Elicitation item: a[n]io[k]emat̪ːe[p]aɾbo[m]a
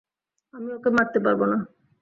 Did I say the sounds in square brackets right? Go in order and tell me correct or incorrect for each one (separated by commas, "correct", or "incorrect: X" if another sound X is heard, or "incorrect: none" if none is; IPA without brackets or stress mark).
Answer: incorrect: m, correct, correct, incorrect: n